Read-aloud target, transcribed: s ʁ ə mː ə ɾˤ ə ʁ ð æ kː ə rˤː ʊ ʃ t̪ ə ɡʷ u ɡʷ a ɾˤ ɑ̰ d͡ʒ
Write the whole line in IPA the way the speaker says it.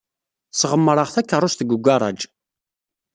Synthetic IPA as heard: s ʁ ə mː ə ɾˤ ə ʁ θ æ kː ə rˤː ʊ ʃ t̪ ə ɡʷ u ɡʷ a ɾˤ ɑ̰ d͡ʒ